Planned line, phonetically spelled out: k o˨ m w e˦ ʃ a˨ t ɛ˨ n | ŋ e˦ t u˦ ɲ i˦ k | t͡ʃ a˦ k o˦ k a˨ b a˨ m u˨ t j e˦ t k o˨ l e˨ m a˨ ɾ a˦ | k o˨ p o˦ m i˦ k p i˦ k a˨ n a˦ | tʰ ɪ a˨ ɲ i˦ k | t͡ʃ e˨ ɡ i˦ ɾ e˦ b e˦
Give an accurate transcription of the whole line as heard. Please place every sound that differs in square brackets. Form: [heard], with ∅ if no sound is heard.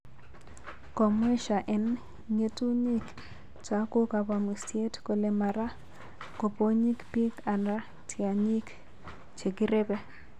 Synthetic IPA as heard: k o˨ m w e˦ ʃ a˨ [ʔ] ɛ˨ n | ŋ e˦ t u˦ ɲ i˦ k | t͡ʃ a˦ k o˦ k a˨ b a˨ m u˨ [s] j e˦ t k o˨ l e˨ m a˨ ɾ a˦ | k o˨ p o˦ [ɲ] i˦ k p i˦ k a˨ n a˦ | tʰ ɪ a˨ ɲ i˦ k | t͡ʃ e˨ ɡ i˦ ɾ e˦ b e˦